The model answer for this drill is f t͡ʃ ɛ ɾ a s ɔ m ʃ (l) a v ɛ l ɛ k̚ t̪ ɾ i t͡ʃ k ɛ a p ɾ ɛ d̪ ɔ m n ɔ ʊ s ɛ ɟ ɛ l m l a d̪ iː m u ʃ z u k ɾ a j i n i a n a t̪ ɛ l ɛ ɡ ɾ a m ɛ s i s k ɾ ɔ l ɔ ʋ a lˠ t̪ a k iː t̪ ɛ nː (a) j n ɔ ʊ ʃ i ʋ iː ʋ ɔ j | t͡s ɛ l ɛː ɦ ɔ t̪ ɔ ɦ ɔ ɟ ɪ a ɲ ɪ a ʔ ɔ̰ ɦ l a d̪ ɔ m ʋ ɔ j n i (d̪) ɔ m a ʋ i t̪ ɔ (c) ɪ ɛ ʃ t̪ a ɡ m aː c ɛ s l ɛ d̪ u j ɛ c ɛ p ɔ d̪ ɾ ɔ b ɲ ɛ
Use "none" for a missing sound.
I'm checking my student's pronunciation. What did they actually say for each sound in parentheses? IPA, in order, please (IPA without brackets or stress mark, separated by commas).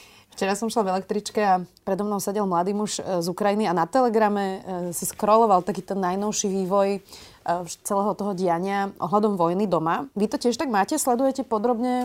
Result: l, a, d̪, c